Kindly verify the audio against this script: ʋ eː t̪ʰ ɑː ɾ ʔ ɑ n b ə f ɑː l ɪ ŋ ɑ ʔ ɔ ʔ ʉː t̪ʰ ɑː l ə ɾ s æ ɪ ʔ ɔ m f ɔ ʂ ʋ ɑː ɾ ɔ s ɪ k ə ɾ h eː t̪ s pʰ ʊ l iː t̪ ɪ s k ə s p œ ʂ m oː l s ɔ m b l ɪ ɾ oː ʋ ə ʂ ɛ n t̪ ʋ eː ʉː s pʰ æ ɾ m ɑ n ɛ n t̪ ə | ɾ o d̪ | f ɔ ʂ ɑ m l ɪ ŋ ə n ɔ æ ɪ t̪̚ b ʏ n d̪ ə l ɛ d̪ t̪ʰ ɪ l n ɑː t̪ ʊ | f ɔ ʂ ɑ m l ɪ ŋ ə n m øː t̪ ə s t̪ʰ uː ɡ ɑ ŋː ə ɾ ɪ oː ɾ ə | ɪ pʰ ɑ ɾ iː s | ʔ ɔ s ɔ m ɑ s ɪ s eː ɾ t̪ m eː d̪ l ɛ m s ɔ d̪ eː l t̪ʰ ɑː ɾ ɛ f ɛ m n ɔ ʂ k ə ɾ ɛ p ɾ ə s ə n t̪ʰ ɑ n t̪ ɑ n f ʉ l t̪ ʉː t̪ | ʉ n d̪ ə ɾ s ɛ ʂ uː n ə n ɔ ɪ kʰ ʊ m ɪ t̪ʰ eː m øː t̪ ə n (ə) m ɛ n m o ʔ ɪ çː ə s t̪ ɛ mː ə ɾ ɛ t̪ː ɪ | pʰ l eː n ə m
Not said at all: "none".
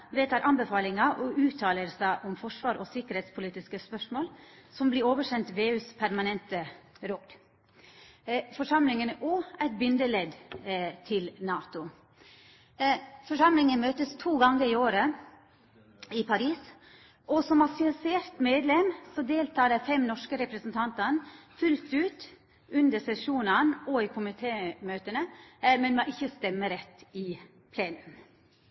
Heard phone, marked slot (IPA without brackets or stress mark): ə